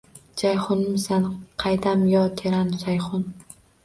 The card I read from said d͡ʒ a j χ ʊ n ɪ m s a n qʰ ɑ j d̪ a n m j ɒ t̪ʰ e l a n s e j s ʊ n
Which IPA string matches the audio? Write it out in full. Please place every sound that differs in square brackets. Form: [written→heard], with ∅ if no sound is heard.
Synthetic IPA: d͡ʒ a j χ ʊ n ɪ m s a n qʰ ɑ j d̪ a [n→∅] m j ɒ t̪ʰ e [l→ɾ] a n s [e→a] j [s→χ] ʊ n